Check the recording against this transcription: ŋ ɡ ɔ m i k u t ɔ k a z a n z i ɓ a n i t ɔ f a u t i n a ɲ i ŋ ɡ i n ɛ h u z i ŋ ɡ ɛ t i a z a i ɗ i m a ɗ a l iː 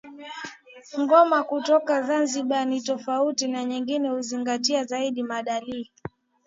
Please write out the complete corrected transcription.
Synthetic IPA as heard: ŋ ɡ ɔ m a k u t ɔ k a z a n z i ɓ a n i t ɔ f a u t i n a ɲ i ŋ ɡ i n ɛ h u z i ŋ ɡ a t i a z a i ɗ i m a ɗ a l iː